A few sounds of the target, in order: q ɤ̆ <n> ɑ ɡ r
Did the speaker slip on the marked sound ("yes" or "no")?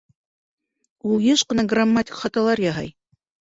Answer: no